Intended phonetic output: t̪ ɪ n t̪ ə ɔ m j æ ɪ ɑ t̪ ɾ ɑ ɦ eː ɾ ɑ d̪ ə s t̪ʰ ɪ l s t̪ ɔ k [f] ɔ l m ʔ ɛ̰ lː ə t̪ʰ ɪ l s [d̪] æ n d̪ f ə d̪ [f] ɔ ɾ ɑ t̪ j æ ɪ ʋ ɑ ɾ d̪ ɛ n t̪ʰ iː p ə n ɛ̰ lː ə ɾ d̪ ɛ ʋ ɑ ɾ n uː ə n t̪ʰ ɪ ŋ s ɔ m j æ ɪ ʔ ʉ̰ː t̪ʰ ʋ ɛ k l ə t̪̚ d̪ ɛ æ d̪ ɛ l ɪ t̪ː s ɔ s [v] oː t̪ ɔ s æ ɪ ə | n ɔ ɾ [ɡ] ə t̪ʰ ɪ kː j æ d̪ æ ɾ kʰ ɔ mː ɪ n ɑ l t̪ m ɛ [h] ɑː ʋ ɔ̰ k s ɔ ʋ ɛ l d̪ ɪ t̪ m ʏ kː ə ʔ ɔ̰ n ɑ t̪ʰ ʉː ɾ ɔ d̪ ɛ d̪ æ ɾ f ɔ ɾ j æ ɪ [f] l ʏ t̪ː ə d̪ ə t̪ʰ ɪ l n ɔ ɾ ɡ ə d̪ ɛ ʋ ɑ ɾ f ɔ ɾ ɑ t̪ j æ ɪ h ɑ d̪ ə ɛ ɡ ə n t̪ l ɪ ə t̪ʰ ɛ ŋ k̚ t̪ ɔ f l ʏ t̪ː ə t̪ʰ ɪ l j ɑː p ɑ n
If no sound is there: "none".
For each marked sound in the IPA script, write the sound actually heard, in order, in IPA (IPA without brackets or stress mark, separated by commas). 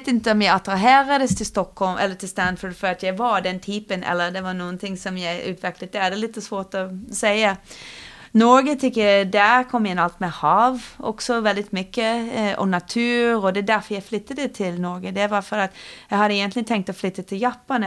h, t̪, f, ʋ, ɡ, h, f